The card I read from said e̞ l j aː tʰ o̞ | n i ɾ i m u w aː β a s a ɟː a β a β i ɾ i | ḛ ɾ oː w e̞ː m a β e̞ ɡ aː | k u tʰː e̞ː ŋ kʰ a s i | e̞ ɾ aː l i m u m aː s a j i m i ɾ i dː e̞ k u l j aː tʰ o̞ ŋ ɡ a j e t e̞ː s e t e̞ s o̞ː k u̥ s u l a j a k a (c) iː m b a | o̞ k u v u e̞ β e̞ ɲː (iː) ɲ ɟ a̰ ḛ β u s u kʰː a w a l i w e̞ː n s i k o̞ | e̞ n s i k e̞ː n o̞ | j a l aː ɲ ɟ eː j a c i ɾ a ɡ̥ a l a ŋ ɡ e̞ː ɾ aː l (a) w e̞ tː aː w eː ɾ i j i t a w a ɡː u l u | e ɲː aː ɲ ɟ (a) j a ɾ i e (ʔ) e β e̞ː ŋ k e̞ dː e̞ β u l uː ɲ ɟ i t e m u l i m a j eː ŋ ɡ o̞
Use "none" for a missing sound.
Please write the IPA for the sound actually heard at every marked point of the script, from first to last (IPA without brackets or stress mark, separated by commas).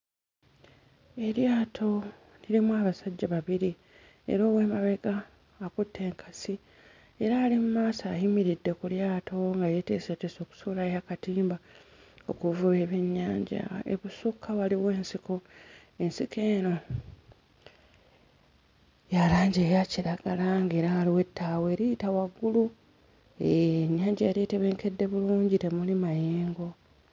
t, aː, i, a, t